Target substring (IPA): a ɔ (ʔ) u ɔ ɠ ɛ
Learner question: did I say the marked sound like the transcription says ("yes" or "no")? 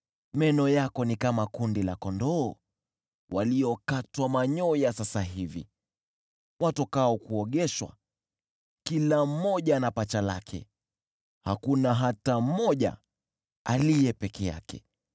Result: no